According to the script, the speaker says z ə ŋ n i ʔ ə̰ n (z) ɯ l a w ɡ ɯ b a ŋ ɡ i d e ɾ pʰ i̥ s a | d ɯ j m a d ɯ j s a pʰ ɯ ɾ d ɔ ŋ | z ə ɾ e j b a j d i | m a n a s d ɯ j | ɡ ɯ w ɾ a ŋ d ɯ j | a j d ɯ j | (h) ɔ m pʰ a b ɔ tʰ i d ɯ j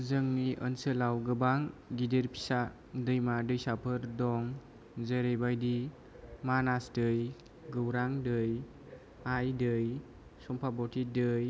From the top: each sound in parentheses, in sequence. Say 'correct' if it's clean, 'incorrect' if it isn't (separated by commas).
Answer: incorrect, incorrect